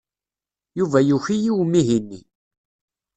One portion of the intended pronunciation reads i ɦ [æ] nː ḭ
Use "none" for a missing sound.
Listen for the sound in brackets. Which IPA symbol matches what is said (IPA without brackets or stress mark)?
i